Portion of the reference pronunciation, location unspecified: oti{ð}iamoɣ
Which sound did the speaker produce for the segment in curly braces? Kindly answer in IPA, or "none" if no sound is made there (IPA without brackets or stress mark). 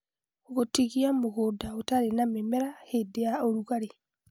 ɣ